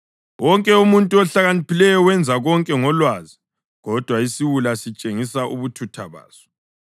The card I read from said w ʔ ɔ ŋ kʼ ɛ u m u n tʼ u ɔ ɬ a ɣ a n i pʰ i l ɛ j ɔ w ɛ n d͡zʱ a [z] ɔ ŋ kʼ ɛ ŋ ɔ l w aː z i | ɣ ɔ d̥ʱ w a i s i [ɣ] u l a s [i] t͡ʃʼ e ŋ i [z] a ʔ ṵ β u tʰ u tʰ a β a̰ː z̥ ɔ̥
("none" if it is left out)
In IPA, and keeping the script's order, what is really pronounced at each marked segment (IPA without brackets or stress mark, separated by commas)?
ɣ, w, i, s